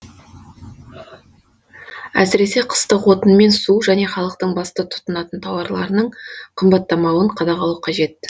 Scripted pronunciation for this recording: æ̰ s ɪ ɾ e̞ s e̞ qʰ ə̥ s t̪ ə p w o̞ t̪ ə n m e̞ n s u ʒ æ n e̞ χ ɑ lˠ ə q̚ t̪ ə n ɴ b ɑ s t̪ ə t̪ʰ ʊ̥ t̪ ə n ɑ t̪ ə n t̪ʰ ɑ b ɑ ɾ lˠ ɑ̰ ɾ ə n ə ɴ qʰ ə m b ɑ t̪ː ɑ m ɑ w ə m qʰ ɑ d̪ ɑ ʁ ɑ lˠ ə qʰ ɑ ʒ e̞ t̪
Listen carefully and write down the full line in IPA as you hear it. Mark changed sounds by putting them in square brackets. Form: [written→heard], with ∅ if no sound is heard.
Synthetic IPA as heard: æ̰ s ɪ ɾ e̞ s e̞ qʰ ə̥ s t̪ ə [p→q] w o̞ t̪ ə n m e̞ n s u ʒ æ n e̞ χ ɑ lˠ ə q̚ t̪ ə [n→∅] ɴ b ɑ s t̪ ə t̪ʰ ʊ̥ t̪ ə n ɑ t̪ ə n t̪ʰ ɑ [b→w] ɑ ɾ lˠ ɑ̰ ɾ ə n ə ɴ qʰ ə m b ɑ t̪ː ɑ m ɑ w ə [m→ɴ] qʰ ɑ d̪ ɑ ʁ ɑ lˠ ə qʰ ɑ ʒ e̞ t̪

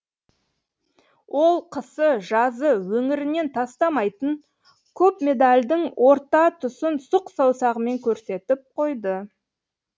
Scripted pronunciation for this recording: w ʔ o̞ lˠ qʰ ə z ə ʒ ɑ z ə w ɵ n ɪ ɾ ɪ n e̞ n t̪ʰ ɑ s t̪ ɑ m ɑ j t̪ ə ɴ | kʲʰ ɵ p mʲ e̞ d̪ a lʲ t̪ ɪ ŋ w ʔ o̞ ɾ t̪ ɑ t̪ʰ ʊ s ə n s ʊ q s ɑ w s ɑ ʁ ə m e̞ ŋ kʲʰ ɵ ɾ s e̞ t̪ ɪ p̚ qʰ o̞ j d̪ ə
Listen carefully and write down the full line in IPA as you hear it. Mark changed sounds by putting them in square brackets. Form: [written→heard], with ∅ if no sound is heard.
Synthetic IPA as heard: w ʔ o̞ lˠ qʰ ə [z→s] ə ʒ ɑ z ə w ɵ [n→ŋ] ɪ ɾ ɪ n e̞ n t̪ʰ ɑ s t̪ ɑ m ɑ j t̪ ə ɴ | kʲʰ ɵ p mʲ e̞ d̪ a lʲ [t̪→d̪] ɪ ŋ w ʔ o̞ ɾ t̪ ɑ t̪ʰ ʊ s ə n s ʊ q s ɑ w s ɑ ʁ ə m e̞ ŋ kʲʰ ɵ ɾ s e̞ t̪ ɪ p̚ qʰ o̞ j d̪ ə

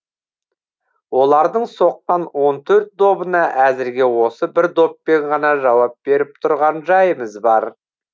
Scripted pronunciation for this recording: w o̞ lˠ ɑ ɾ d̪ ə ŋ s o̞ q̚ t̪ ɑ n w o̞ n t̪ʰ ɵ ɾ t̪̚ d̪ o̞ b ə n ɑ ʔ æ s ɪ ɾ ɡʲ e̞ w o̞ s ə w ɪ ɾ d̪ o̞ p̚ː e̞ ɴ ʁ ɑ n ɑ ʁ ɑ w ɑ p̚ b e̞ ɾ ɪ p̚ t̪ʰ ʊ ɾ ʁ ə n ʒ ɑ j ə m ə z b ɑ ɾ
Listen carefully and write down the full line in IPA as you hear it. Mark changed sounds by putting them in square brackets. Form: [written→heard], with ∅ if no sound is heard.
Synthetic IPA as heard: w o̞ lˠ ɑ ɾ d̪ ə [ŋ→ɴ] s o̞ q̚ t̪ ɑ n w o̞ n t̪ʰ ɵ ɾ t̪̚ d̪ o̞ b ə n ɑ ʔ æ [s→z] ɪ ɾ ɡʲ e̞ w o̞ s ə [w→b] ɪ ɾ d̪ o̞ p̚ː e̞ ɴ ʁ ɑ n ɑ [ʁ→ʒ] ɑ w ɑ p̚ b e̞ ɾ ɪ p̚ t̪ʰ ʊ ɾ ʁ [ə→ɑ] n ʒ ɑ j ə m ə z b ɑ ɾ

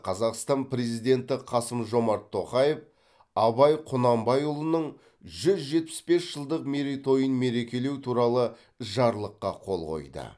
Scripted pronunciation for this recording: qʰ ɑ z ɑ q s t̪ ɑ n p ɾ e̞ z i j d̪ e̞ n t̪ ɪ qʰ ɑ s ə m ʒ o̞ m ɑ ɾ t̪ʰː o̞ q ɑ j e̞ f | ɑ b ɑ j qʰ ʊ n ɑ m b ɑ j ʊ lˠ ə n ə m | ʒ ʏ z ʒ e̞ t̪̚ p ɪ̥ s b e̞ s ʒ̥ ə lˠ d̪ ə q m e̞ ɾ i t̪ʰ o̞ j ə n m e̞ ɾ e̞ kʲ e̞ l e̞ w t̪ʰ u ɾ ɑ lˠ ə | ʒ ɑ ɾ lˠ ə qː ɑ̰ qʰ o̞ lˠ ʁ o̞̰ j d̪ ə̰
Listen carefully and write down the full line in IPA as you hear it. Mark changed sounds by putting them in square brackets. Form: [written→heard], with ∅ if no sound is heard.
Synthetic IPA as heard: qʰ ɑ z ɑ q s t̪ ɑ n p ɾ e̞ z i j d̪ e̞ n t̪ ɪ qʰ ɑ s ə m ʒ o̞ m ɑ ɾ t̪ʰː o̞ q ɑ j e̞ f | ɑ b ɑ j qʰ ʊ n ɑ m b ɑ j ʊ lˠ ə n ə [m→ɴ] | ʒ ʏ z ʒ e̞ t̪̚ p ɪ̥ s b e̞ s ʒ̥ ə lˠ d̪ ə q m e̞ ɾ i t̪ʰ o̞ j ə n m e̞ ɾ e̞ kʲ e̞ l e̞ w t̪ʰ u ɾ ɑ lˠ ə | ʒ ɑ ɾ lˠ ə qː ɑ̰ qʰ o̞ lˠ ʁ o̞̰ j d̪ ə̰

